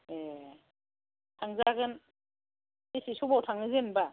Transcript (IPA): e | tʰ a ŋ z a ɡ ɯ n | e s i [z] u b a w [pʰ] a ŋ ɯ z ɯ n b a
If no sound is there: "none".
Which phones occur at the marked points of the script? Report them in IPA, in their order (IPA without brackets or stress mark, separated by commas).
s, tʰ